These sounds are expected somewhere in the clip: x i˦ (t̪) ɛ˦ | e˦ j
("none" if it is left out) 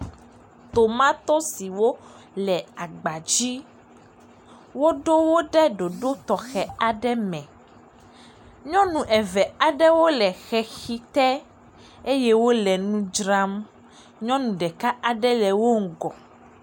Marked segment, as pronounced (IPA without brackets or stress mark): t̪